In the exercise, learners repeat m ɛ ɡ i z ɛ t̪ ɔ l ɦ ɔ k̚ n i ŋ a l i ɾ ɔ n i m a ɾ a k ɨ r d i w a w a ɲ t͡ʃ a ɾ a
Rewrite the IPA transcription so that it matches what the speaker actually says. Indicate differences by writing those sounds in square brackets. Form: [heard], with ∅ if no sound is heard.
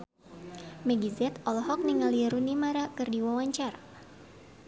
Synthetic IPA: m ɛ ɡ i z ɛ t̪ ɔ l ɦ ɔ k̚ n i ŋ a l i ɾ [u] n i m a ɾ a k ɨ r d i w a w a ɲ t͡ʃ a ɾ a